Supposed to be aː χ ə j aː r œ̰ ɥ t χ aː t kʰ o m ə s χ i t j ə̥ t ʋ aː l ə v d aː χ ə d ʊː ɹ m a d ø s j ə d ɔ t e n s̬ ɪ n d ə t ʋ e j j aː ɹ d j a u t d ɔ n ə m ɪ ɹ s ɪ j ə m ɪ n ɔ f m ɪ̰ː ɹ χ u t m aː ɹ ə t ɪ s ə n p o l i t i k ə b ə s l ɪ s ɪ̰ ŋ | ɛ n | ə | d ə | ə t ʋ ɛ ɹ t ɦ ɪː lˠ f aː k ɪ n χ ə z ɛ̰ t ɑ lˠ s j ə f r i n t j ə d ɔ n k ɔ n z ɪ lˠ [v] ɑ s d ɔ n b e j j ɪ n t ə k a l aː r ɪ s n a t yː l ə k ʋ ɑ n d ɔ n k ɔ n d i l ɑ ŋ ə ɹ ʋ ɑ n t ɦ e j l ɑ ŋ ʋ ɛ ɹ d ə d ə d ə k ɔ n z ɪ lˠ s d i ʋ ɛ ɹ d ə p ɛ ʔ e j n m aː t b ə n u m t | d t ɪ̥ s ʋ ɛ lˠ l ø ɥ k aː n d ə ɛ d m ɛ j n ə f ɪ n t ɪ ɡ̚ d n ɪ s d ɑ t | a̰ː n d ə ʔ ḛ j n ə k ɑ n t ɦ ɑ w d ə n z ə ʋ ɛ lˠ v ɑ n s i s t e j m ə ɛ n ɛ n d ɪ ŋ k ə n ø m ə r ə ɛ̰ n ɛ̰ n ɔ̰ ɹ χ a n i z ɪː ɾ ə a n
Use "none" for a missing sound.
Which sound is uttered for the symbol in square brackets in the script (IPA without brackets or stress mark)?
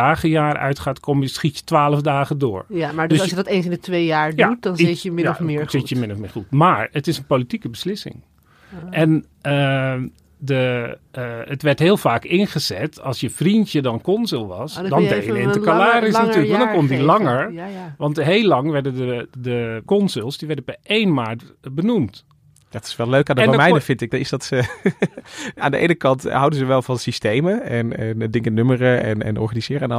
ʋ